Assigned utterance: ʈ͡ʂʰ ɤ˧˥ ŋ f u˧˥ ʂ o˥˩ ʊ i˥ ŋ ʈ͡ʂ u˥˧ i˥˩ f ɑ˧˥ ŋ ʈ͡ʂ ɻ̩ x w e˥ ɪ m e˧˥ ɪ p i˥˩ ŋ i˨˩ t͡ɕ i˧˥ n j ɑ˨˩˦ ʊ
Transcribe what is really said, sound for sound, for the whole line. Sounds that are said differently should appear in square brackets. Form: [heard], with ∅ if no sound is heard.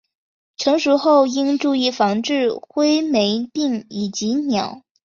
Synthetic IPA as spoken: ʈ͡ʂʰ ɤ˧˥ ŋ [ʂ] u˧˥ [x] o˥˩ ʊ i˥ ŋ ʈ͡ʂ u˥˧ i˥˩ f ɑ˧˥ ŋ ʈ͡ʂ ɻ̩ x w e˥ ɪ m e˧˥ ɪ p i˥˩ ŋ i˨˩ t͡ɕ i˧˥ n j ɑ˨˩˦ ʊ